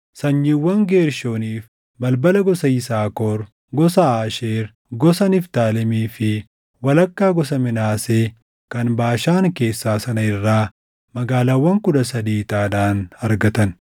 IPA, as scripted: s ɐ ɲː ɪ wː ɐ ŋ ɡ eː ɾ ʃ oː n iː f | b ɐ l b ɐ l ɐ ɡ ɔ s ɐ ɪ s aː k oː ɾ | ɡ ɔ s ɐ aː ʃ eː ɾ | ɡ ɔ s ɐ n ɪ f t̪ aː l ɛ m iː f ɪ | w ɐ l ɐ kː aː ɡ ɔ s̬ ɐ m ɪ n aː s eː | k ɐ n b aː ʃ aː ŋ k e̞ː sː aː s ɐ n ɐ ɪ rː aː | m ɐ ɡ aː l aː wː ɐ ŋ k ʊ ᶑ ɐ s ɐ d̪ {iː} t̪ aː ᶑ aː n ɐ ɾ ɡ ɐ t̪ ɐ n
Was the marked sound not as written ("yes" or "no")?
no